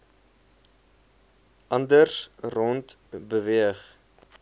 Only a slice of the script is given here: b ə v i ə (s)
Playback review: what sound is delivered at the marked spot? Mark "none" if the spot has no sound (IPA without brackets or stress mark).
χ